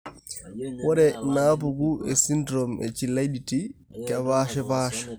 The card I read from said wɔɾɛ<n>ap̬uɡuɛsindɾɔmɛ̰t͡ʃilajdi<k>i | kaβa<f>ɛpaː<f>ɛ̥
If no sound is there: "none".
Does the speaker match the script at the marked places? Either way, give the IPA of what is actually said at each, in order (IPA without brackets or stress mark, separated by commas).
n, t, ʃ, ʃ